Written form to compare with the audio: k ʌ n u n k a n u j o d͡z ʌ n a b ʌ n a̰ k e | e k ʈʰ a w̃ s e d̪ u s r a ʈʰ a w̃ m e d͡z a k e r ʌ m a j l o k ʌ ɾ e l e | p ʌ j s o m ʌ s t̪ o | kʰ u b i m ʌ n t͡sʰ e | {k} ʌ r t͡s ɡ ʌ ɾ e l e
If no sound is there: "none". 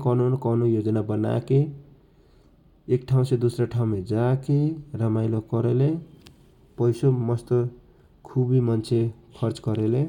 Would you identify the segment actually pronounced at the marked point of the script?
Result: kʰ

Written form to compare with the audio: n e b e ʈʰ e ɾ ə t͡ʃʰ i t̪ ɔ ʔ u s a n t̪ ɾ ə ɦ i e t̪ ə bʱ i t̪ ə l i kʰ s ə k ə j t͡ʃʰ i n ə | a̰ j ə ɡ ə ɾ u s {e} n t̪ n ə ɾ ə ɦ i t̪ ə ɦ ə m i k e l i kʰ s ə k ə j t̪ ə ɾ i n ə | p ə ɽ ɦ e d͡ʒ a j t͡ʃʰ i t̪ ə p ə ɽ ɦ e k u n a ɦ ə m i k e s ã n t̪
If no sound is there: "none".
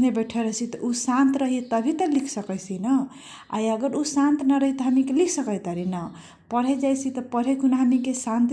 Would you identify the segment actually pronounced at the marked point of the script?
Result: a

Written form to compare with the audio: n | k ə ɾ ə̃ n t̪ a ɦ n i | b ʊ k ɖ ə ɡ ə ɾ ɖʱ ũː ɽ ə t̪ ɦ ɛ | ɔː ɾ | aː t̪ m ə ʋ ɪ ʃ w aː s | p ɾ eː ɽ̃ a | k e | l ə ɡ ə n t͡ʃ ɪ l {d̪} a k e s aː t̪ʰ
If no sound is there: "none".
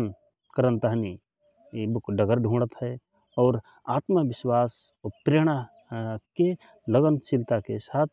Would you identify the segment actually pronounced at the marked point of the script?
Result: t̪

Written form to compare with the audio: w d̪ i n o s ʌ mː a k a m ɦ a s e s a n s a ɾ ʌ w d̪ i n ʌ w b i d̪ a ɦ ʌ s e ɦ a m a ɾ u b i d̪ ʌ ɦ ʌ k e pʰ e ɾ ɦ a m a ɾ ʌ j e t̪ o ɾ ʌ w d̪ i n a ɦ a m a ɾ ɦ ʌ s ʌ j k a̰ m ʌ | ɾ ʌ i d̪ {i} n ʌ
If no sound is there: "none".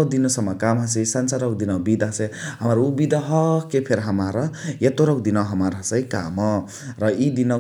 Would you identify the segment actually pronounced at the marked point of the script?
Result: i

